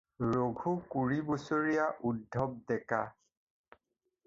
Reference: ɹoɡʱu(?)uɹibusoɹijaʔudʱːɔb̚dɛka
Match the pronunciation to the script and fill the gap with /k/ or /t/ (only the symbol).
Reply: k